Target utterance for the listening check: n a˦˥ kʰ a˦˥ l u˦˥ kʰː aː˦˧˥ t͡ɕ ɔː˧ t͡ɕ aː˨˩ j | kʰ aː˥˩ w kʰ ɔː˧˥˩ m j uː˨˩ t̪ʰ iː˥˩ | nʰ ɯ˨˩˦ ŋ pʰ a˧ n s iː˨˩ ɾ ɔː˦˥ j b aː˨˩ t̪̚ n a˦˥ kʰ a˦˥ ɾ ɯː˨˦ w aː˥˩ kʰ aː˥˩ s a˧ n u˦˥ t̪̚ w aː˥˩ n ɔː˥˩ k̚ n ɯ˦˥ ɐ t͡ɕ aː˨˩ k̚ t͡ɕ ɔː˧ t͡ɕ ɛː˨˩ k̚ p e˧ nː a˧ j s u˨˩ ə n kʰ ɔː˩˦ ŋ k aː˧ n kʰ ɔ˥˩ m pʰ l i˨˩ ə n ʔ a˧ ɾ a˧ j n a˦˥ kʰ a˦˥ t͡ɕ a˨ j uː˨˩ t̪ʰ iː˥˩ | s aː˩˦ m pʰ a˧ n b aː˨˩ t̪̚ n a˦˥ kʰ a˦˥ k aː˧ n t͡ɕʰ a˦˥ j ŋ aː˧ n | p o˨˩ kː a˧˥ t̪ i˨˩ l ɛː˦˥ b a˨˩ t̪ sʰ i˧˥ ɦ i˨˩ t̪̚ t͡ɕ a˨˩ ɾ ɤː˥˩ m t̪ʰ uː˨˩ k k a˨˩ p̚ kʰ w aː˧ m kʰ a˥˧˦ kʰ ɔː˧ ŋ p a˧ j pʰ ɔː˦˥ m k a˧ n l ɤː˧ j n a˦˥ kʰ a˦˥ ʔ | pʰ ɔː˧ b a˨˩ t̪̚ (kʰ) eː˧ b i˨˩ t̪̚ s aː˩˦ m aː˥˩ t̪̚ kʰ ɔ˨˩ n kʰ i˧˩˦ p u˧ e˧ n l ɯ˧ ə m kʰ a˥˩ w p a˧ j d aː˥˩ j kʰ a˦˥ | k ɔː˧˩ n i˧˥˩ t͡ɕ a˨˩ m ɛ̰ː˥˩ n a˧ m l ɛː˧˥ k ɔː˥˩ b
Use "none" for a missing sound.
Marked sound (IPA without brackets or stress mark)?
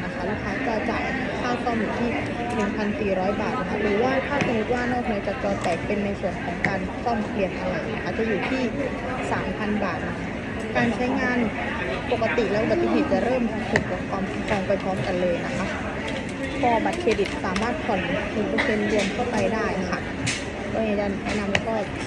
kʰ